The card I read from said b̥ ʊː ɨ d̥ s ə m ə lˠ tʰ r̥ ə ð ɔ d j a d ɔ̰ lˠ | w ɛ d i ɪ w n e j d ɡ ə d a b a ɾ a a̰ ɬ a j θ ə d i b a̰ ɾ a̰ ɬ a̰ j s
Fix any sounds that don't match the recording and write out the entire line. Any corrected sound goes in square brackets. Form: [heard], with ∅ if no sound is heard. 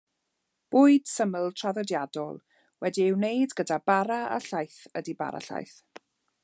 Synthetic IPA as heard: b̥ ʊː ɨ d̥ s ə m ə lˠ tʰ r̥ [a] ð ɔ d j a d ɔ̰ lˠ | w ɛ d i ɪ w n e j d ɡ ə d a b a ɾ a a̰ ɬ a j θ ə d i b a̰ ɾ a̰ ɬ a̰ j [θ]